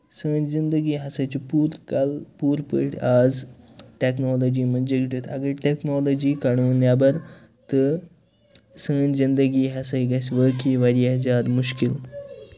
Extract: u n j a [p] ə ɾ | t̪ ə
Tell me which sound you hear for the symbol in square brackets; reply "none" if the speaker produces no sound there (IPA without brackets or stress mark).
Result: b